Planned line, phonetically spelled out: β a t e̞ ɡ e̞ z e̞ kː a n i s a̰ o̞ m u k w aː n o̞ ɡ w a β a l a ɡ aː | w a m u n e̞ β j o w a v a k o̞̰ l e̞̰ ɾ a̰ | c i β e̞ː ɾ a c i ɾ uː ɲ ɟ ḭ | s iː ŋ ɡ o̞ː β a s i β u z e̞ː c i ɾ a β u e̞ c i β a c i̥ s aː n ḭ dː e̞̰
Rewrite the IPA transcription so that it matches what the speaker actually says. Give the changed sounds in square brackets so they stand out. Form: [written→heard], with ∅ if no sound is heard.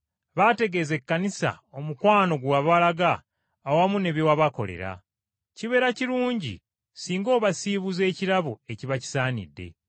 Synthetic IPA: β a t e̞ ɡ e̞ z e̞ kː a n i s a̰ o̞ m u k w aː n o̞ ɡ w a β a l a ɡ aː | w a m u n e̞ β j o w a [v→β] a k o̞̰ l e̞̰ ɾ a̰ | c i β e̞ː ɾ a c i ɾ uː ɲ ɟ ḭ | s iː ŋ ɡ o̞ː β a s i β u z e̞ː c i ɾ a β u e̞ c i β a c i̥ s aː n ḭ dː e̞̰